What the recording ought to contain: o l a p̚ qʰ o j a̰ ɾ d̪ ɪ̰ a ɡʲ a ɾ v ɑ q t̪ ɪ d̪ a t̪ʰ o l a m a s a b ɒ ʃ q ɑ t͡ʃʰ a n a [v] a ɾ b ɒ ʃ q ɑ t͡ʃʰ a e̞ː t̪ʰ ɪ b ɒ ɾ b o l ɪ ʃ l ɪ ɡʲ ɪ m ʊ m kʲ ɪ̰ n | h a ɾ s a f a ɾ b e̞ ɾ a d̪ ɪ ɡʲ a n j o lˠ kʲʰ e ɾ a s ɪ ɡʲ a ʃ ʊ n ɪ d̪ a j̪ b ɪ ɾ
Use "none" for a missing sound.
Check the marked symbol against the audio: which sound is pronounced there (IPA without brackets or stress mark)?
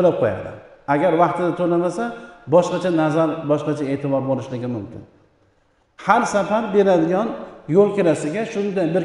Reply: z